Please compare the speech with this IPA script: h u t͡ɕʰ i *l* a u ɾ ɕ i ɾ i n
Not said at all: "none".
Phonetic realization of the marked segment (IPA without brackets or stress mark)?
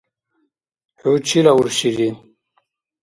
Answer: l